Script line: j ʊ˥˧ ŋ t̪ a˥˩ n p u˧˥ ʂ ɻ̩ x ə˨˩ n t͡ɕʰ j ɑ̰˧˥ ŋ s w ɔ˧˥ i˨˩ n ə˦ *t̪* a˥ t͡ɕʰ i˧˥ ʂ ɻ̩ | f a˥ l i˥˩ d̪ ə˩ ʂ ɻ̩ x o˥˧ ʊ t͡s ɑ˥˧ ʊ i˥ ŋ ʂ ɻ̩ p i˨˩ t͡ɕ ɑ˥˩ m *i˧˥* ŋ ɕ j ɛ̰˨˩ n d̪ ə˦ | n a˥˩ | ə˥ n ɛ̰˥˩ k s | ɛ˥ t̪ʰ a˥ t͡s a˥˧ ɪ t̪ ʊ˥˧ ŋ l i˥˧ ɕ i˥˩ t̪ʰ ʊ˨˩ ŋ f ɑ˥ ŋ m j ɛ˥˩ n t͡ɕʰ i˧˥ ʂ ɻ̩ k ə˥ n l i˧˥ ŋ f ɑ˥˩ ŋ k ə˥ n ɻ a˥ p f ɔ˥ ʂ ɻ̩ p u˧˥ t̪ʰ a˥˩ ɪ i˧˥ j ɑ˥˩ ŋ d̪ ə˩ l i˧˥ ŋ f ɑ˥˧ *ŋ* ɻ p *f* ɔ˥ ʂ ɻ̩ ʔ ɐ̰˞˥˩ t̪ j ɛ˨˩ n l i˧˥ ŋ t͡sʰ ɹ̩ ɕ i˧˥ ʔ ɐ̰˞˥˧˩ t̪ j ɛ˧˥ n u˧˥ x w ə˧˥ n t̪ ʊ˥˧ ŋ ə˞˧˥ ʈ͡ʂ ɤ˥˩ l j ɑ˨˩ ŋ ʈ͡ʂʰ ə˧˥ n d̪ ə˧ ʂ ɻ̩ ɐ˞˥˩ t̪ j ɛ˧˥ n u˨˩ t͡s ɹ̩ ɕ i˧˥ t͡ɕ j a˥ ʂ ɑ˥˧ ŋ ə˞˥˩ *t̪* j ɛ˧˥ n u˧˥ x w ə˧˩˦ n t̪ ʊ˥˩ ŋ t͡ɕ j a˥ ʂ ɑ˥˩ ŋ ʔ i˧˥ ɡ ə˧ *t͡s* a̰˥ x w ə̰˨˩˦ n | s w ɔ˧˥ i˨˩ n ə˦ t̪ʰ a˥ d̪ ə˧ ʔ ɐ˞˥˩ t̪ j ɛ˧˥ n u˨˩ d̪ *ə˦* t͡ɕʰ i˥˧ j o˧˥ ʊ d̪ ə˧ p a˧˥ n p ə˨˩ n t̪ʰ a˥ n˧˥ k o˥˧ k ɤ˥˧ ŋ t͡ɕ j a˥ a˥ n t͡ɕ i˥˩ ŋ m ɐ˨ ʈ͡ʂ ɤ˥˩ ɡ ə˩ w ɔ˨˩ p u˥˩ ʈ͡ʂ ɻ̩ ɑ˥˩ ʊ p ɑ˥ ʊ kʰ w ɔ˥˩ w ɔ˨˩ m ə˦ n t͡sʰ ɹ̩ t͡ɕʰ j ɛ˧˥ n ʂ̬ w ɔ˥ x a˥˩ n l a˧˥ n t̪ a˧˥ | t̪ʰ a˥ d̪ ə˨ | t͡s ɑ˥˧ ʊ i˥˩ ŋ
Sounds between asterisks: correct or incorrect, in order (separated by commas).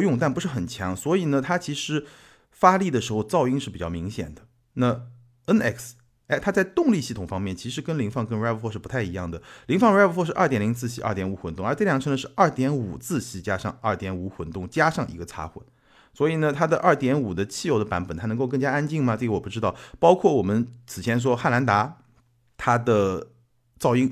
incorrect, correct, correct, correct, correct, incorrect, correct